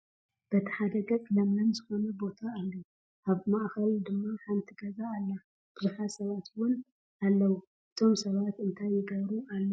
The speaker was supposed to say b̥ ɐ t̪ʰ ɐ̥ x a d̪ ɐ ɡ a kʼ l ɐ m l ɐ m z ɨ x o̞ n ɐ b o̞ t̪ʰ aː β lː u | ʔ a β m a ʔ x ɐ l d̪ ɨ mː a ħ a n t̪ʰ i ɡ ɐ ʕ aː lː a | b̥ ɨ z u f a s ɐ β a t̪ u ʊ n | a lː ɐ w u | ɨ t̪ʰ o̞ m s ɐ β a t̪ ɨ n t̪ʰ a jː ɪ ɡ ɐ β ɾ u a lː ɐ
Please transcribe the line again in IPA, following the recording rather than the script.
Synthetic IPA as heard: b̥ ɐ t̪ʰ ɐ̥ ħ a d̪ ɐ ɡ ɐ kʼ l ɐ m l ɐ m z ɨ x o̞ n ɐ b o̞ t̪ʰ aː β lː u | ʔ a β m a ʔ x ɐ l d̪ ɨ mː a ħ a n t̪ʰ i ɡ ɐ z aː lː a | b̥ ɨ z u ħ a s ɐ β a t̪ w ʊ n | a lː ɐ w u | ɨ t̪ʰ o̞ m s ɐ β a t̪ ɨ n t̪ʰ a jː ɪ ɡ ɐ β ɾ u a lː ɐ